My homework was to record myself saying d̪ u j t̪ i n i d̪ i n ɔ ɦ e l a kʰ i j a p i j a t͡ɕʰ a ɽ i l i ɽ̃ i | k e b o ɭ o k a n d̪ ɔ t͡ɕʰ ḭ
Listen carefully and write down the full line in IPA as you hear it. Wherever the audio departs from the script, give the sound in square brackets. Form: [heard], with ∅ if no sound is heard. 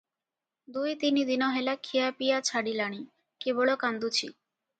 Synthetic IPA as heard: d̪ u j t̪ i n i d̪ i n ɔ ɦ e l a kʰ i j a p i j a t͡ɕʰ a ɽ i l [a] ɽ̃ i | k e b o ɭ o k a n d̪ [u] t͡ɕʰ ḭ